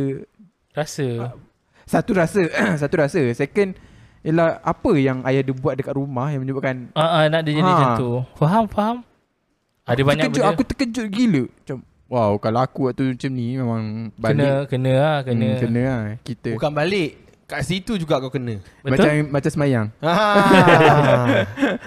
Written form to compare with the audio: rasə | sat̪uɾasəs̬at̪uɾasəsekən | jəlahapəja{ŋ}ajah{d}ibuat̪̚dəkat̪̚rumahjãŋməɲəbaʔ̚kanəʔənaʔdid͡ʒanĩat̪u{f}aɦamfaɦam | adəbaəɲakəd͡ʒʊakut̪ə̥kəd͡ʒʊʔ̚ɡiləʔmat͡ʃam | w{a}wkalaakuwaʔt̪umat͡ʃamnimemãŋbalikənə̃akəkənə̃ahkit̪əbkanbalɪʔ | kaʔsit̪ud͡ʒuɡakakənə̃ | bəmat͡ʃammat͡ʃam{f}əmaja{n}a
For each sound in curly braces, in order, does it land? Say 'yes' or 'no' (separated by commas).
yes, yes, yes, yes, no, no